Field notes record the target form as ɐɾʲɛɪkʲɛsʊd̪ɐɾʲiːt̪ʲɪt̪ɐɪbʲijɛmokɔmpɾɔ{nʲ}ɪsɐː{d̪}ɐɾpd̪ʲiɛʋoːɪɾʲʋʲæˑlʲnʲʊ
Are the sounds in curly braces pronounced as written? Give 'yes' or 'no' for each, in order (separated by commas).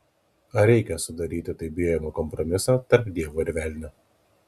no, no